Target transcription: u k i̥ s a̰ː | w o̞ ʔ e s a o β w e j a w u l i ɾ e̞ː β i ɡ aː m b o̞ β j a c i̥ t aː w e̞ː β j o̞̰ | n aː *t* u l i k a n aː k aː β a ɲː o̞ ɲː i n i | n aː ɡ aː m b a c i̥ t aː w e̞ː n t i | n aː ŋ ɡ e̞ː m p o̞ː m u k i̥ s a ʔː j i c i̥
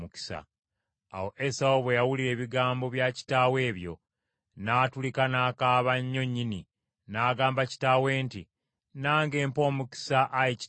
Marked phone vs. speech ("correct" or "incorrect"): correct